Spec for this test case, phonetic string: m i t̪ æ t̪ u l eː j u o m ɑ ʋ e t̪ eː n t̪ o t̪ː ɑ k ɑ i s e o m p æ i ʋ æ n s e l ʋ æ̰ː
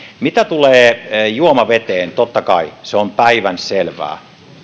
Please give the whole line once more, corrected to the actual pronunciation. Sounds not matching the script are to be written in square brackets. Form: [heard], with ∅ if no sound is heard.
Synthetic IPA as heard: m i t̪ æ t̪ u l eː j u o m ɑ ʋ e t̪ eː n t̪ o t̪ː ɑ k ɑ i s e o m p æ i ʋ æ n s e l ʋ æ̰ː